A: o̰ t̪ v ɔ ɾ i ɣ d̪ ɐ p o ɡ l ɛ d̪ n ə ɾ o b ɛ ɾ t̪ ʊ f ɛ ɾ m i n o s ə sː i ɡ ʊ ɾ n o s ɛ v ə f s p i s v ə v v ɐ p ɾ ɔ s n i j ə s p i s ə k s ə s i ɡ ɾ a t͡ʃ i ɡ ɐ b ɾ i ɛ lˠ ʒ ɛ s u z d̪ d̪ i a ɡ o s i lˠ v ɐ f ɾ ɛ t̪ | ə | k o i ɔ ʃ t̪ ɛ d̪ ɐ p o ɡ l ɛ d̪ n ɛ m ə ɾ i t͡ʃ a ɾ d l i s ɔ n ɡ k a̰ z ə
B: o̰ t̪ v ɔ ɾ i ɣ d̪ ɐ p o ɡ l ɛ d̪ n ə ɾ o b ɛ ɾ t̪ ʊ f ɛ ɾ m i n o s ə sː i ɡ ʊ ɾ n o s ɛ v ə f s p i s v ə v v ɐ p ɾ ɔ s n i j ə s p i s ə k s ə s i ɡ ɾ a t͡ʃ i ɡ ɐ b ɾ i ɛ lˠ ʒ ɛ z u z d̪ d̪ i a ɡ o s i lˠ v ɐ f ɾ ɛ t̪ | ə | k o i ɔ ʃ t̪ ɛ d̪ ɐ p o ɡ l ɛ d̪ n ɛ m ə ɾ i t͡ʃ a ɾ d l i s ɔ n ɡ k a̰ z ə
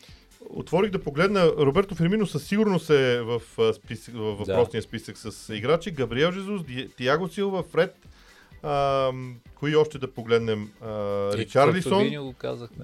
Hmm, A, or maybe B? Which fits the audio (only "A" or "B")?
B